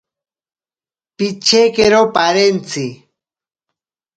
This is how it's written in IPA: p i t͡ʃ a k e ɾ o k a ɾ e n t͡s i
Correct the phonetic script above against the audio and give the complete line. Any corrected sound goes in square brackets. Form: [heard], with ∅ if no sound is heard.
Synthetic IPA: p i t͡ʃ [e] k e ɾ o [p] a ɾ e n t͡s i